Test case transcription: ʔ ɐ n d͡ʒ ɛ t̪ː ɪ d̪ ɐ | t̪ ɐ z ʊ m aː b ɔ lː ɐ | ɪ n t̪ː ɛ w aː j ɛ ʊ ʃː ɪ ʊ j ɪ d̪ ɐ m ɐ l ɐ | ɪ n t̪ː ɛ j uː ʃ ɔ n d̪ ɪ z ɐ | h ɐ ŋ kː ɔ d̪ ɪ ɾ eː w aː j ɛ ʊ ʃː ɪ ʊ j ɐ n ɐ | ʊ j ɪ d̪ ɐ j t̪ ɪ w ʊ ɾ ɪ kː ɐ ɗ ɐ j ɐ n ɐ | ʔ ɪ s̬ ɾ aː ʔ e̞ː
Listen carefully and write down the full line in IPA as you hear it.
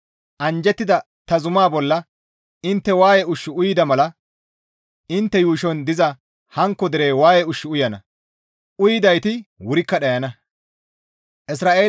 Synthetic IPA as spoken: ʔ ɐ n d͡ʒ ɛ t̪ː ɪ d̪ ɐ | t̪ ɐ z ʊ m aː b ɔ lː ɐ | ɪ n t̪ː ɛ w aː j ɛ ʊ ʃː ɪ ʊ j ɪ d̪ ɐ m ɐ l ɐ | ɪ n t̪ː ɛ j uː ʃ ɔ n d̪ ɪ z ɐ | h ɐ ŋ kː ɔ d̪ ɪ ɾ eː w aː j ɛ ʊ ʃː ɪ ʊ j ɐ n ɐ | ʊ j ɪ d̪ ɐ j t̪ ɪ w ʊ ɾ ɪ kː ɐ ɗ ɐ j ɐ n ɐ | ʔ ɪ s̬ ɾ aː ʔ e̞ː